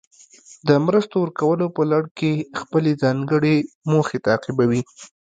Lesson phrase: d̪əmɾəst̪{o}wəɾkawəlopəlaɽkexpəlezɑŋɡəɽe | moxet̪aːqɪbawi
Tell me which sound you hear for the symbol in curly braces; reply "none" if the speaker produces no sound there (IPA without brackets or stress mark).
o